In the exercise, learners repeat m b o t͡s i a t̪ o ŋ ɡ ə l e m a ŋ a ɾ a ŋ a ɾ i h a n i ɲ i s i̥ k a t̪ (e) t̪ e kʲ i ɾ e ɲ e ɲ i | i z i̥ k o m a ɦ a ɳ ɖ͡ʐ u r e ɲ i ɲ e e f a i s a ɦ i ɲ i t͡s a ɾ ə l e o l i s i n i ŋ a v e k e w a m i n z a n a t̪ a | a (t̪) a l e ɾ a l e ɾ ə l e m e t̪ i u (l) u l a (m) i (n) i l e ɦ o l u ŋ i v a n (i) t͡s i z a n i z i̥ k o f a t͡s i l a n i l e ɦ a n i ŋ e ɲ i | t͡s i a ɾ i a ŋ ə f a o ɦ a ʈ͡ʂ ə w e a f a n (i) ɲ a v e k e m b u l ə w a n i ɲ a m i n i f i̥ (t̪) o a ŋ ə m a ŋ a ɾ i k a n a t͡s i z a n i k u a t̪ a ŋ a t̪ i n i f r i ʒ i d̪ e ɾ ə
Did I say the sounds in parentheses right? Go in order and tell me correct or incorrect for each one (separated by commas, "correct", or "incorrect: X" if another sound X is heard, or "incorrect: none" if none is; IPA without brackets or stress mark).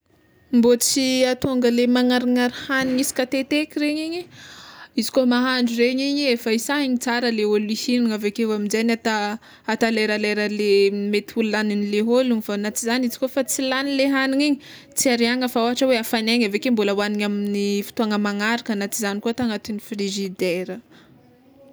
correct, correct, correct, incorrect: n, correct, incorrect: a, incorrect: e, correct